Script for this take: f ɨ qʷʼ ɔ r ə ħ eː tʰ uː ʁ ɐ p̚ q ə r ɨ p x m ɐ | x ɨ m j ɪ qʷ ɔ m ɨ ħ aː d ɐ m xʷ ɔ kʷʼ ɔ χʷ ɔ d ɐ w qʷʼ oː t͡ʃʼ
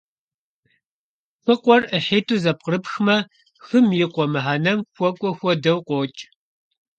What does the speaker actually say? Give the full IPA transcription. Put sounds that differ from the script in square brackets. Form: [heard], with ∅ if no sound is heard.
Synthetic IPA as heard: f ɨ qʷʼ ɔ r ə ħ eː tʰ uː [z] ɐ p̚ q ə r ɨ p x m ɐ | x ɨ m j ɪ qʷ ɔ m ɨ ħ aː [n] ɐ m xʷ ɔ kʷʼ ɔ [xʷ] ɔ d ɐ w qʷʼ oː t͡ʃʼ